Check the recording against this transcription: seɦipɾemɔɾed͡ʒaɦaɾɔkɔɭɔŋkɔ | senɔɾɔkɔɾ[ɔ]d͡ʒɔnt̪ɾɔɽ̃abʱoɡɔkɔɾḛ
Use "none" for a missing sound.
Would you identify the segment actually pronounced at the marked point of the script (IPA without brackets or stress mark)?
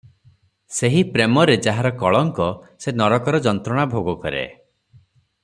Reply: ɔ